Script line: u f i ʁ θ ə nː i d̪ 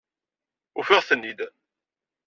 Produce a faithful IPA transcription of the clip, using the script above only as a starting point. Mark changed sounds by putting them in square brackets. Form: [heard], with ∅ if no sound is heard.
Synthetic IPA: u f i ʁ θ ə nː i d̪